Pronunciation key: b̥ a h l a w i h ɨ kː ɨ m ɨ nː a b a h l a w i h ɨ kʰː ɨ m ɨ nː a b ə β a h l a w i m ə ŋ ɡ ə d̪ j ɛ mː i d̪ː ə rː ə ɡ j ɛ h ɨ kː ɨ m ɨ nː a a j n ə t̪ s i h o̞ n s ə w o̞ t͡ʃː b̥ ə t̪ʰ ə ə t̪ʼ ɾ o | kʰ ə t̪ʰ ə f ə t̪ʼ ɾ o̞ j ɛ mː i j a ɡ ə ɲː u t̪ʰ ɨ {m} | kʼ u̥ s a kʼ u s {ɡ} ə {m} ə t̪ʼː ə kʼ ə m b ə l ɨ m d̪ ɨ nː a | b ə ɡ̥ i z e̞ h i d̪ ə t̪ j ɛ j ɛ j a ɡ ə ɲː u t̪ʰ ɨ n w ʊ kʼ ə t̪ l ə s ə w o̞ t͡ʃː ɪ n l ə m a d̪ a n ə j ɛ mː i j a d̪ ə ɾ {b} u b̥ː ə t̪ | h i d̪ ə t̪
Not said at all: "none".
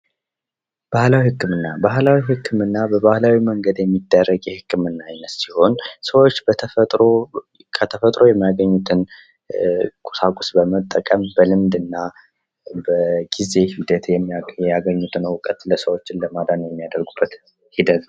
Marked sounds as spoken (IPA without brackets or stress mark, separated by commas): n, b, m, ɡ